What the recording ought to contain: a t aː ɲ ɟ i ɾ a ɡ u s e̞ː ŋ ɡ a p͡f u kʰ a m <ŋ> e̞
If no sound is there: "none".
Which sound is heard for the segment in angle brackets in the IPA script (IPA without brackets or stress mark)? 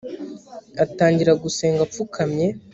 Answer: ɲ